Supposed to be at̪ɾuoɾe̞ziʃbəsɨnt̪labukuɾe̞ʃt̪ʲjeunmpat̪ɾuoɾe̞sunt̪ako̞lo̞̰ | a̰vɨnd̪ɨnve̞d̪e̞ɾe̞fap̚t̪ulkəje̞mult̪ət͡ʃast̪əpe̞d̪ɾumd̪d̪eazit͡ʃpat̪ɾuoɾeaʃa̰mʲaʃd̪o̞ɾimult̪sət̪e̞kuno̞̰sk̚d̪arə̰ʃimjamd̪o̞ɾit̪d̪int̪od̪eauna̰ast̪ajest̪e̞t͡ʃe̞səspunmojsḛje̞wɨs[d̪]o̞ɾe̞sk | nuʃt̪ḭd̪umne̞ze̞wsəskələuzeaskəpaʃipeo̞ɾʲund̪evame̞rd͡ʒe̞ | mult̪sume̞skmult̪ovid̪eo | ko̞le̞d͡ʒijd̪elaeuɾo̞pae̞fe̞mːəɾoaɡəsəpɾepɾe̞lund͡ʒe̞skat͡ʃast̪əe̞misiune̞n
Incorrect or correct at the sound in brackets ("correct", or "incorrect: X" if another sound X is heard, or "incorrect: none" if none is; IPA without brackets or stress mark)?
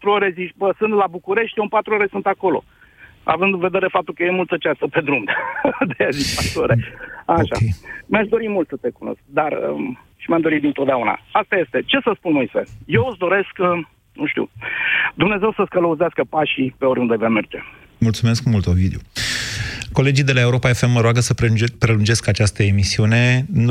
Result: correct